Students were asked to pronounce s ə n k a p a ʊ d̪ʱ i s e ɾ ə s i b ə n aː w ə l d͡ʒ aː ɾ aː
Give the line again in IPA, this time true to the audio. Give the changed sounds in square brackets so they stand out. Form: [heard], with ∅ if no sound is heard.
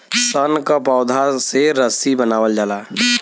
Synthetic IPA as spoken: s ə n k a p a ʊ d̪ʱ [a] s e ɾ ə s i b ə n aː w ə l d͡ʒ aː [l] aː